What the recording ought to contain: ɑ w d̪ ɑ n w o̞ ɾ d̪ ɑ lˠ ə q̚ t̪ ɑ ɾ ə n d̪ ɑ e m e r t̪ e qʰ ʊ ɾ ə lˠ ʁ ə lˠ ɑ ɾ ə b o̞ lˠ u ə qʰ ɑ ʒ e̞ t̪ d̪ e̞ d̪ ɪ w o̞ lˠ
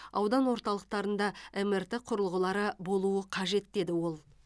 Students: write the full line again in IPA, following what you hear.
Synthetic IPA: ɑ w d̪ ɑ n w o̞ ɾ t̪ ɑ lˠ ə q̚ t̪ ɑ ɾ ə n d̪ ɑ e m e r t̪ e qʰ ʊ ɾ ə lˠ ʁ ə lˠ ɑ ɾ ə b o̞ lˠ u ə qʰ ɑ ʒ e̞ t̪ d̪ e̞ d̪ ɪ w o̞ lˠ